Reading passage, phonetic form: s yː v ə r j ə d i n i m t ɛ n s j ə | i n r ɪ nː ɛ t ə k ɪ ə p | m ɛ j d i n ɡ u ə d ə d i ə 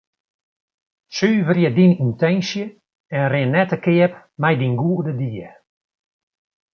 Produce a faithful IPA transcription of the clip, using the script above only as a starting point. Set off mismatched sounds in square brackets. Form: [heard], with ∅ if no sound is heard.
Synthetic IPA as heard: s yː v ə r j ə d i n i [n] t ɛ n s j ə | [ɛ] n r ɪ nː ɛ t ə k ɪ ə p | m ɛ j d i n ɡ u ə d ə d i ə

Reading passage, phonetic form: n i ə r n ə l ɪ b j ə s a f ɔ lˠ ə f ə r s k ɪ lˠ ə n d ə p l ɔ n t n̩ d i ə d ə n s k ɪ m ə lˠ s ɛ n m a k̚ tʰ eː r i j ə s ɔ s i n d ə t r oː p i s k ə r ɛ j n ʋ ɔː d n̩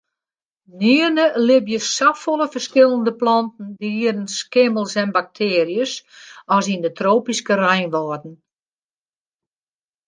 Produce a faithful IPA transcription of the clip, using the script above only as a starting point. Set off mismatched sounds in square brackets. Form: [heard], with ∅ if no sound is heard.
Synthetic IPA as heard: n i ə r n ə l ɪ b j ə s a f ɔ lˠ ə f ə r s k ɪ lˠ ə n d ə p l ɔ n t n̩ d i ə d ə n s k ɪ m ə lˠ s ɛ n [b] a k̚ tʰ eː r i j ə s ɔ s i n d ə t r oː p i s k ə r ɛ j n ʋ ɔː d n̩

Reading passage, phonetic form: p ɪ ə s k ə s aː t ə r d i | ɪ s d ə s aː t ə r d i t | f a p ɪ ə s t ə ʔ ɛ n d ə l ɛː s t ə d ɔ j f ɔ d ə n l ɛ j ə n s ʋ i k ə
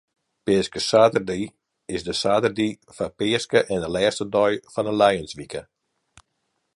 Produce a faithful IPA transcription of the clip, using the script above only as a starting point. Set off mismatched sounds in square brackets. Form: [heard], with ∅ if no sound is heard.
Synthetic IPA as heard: p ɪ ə s k ə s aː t ə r d i | ɪ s d ə s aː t ə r d i [∅] | f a p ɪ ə s [k] ə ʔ ɛ n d ə l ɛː s t ə d ɔ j f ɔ [n] ə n l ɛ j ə n s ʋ i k ə

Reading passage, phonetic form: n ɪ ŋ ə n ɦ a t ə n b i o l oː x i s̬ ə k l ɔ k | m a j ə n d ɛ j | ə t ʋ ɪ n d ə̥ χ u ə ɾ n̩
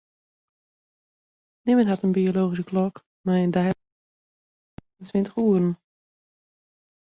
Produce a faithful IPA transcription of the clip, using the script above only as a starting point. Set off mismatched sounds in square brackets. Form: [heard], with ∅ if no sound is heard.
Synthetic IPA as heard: n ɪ [m] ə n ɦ a t ə n b i o l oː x i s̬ ə k l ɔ k | m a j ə n d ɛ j | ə t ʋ ɪ n [t] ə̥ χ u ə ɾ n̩

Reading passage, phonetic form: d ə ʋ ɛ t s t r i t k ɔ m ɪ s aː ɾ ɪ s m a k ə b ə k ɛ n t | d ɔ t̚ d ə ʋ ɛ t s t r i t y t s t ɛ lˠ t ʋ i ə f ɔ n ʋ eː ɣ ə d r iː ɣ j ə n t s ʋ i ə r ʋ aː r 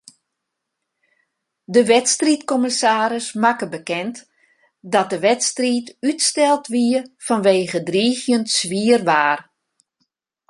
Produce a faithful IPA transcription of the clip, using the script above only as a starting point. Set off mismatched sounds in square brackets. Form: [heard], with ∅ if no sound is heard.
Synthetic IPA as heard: d ə ʋ ɛ t s t r i t k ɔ m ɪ s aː ɾ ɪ s m a k ə b ə k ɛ n t | d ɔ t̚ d ə ʋ ɛ t s t r i t y t s t ɛ lˠ t ʋ i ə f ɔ n ʋ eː ɣ ə d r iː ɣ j ə n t s ʋ i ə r ʋ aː r

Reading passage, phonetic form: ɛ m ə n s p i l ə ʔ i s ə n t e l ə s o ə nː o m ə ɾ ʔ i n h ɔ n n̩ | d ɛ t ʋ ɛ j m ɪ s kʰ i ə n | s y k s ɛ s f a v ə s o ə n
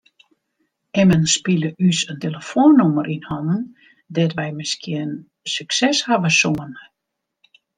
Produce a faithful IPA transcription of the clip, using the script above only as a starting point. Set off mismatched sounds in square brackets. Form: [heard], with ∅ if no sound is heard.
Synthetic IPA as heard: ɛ m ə n s p i l ə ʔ [y] s ə n t e l ə [f] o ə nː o m ə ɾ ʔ i n h ɔ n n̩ | d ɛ t ʋ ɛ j m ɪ s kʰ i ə n | s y k s ɛ s [h] a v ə s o ə n

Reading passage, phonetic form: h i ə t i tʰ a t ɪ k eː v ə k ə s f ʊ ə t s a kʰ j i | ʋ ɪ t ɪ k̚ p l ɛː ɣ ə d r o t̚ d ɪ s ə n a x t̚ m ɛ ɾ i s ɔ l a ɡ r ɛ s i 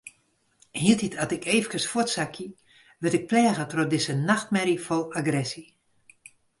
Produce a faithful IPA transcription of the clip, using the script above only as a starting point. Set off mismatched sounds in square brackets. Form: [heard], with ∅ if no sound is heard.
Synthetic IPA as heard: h i ə t i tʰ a t ɪ k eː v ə k ə s f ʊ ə t s a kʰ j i | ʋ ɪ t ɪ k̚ p l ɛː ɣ ə [t] r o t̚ d ɪ s ə n a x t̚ m ɛ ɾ i [f] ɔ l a ɡ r ɛ s i

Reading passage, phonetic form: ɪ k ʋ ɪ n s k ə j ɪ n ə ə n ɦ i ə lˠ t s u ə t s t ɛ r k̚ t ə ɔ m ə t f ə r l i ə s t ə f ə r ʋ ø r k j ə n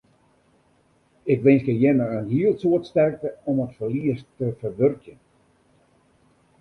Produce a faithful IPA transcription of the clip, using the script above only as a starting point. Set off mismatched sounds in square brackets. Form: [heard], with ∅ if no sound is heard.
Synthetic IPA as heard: ɪ k ʋ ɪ n s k ə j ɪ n ə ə n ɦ i ə lˠ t s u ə t s t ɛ r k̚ t ə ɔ m ə t f ə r l i ə s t ə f ə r ʋ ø r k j ə n

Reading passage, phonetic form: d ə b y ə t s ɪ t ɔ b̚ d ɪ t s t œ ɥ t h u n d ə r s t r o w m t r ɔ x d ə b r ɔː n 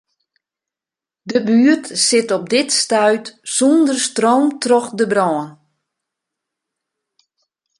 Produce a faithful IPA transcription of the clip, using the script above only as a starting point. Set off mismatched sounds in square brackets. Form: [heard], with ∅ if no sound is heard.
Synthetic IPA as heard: d ə b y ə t s ɪ t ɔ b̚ d ɪ t s t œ ɥ t [s] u n d ə r s t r o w m t r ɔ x d ə b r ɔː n

